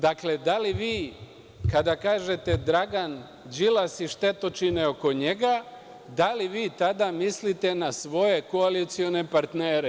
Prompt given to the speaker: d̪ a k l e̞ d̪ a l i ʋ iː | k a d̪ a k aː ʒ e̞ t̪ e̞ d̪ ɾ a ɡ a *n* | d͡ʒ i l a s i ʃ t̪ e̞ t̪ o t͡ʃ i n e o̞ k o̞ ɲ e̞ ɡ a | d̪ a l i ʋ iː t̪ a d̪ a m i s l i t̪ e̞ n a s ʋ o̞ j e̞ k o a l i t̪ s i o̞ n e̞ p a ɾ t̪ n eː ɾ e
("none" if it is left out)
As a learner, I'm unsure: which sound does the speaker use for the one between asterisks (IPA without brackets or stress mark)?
n